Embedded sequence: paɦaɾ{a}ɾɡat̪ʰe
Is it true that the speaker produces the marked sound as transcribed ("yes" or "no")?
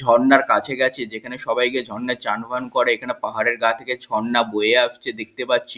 no